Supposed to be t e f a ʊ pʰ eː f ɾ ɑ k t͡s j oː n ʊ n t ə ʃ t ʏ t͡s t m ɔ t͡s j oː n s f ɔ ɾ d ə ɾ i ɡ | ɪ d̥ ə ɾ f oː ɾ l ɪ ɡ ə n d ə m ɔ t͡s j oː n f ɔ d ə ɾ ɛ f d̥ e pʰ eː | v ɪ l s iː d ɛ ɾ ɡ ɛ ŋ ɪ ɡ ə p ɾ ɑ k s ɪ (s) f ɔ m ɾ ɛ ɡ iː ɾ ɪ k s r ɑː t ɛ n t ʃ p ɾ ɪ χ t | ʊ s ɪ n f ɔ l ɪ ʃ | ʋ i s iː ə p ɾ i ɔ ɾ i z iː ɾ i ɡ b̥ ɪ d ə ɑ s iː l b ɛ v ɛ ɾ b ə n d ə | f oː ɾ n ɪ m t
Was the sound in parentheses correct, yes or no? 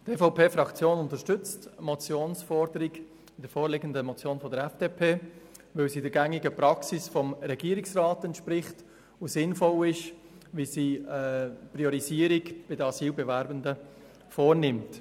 yes